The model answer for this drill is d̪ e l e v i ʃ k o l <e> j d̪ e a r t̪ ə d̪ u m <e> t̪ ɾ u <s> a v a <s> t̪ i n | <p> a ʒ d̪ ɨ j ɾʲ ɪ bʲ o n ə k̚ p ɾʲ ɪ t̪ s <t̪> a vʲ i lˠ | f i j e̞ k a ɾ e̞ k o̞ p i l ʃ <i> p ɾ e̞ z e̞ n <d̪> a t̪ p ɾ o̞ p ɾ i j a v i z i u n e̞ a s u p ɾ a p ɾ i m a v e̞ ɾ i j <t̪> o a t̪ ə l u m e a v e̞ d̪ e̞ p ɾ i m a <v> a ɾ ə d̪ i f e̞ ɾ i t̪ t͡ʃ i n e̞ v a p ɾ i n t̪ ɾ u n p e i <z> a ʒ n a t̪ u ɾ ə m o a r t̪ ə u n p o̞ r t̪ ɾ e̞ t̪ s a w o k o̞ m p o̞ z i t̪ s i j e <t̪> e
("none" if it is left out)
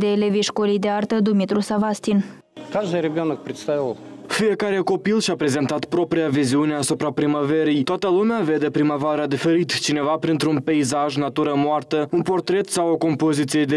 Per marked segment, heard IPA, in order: i, i, s, s, k, t̪, a, t̪, t̪, v, z, d̪

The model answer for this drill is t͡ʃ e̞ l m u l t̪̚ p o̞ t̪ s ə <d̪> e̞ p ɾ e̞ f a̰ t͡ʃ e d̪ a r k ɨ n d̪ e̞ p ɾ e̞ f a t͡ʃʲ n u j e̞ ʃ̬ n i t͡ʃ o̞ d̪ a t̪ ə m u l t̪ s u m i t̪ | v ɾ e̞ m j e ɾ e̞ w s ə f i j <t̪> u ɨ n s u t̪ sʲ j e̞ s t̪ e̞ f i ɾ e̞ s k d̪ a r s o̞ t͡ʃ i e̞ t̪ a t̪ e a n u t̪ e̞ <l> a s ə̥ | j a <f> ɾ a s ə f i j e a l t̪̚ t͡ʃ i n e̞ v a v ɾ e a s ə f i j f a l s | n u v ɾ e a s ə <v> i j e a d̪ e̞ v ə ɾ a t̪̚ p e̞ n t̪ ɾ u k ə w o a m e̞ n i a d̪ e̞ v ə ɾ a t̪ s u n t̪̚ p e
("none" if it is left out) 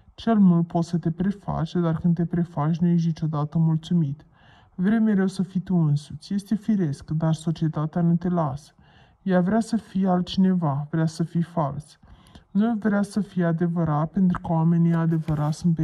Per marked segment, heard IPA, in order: t̪, t̪, l, v, f

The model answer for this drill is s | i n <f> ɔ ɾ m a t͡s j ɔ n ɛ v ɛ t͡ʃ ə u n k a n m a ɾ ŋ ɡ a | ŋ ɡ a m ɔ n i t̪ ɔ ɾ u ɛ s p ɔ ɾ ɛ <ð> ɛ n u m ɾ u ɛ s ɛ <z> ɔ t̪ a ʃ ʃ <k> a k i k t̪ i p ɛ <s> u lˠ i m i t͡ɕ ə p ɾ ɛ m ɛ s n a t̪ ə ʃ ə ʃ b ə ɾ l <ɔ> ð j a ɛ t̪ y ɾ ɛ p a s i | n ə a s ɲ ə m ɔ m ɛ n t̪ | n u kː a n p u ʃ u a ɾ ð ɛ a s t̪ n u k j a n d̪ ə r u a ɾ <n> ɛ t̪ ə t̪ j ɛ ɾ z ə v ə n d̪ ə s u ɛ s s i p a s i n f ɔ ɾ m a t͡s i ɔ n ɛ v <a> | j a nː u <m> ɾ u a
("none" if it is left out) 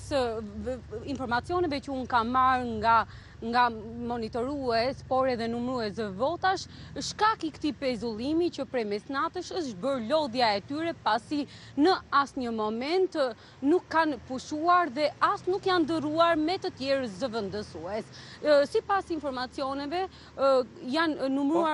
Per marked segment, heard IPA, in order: f, ð, v, k, z, ɔ, m, ɛ, m

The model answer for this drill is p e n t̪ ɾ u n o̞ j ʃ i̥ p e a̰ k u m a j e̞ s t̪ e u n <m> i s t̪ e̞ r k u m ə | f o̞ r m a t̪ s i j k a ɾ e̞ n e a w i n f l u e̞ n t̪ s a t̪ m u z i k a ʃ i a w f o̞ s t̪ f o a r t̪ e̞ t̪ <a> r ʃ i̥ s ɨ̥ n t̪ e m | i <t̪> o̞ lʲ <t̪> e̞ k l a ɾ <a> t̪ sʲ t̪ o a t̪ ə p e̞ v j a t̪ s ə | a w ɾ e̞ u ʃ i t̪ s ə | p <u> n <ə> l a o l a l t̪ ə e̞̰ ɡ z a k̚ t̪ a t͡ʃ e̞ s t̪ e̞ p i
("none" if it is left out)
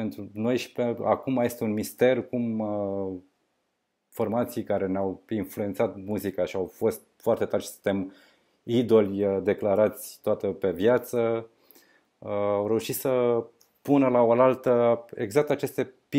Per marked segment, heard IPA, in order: m, a, d̪, d̪, a, u, ə

